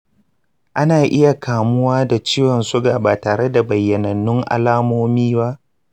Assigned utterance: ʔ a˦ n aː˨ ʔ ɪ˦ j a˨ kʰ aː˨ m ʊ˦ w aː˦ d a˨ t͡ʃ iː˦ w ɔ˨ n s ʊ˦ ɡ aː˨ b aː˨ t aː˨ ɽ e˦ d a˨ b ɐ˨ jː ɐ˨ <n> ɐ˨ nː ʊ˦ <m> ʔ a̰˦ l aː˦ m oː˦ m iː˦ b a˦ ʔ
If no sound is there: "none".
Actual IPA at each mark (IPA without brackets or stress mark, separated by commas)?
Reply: n, ŋ